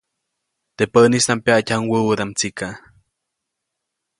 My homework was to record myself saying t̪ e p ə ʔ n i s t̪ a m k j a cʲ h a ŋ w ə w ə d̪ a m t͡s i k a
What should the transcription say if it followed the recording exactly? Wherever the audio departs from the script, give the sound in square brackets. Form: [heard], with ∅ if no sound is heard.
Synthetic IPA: t̪ e p ə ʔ n i s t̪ a m [p] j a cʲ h a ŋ w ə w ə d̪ a m t͡s i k a